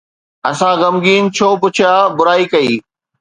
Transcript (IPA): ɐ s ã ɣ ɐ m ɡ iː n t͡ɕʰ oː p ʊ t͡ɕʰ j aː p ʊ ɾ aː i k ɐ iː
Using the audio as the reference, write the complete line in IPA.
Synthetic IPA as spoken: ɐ s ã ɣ ɐ m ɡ iː n t͡ɕʰ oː p ʊ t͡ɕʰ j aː b ʊ ɾ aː i k ɐ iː